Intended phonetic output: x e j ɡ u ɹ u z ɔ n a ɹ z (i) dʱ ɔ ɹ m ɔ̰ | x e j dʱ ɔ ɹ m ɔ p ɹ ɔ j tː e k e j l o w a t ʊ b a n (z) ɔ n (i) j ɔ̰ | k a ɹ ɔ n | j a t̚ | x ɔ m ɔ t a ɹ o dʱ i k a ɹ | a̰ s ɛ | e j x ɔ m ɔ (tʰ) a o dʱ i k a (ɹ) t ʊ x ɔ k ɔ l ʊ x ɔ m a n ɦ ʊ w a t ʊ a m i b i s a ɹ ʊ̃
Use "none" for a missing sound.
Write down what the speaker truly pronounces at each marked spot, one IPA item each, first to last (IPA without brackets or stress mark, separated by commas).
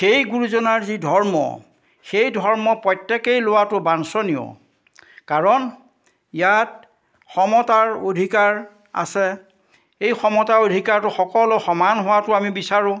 i, s, i, t, ɹ